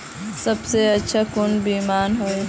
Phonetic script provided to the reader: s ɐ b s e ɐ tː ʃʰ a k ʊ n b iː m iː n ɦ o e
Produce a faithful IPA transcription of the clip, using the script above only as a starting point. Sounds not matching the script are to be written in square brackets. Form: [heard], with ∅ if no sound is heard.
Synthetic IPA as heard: s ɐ b s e ɐ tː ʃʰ a k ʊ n b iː m [aː] n ɦ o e